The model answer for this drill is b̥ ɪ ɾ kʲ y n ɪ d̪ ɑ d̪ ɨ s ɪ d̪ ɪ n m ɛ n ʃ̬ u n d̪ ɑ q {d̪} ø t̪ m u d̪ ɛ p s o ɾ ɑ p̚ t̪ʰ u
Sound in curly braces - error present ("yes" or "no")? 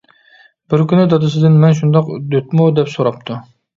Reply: no